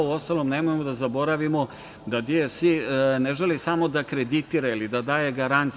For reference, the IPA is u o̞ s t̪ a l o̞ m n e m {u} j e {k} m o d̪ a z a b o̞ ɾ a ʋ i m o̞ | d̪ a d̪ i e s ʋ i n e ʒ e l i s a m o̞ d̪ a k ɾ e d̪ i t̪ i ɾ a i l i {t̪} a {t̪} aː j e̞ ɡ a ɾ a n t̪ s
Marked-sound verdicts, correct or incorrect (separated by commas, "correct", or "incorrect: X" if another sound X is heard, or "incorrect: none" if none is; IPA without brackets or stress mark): incorrect: o, incorrect: none, incorrect: d̪, incorrect: d̪